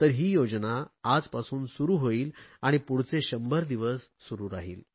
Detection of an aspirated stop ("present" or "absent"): absent